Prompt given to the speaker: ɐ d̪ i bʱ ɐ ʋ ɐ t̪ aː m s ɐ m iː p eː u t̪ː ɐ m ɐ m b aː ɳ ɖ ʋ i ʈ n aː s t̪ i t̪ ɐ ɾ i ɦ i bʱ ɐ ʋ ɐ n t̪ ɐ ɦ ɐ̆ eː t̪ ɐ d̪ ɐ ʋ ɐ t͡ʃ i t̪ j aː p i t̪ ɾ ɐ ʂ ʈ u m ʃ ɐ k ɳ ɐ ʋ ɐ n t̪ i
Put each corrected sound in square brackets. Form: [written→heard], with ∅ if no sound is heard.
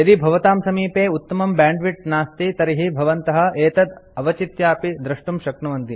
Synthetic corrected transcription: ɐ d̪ i bʱ ɐ ʋ ɐ t̪ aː m s ɐ m iː p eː u t̪ː ɐ m ɐ m b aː ɳ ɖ ʋ i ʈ n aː s t̪ i t̪ ɐ ɾ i ɦ i bʱ ɐ ʋ ɐ n t̪ ɐ ɦ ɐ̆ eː t̪ ɐ d̪ ɐ ʋ ɐ t͡ʃ i t̪ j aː p i [t̪→d̪] ɾ ɐ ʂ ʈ u m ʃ ɐ k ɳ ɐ ʋ ɐ n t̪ i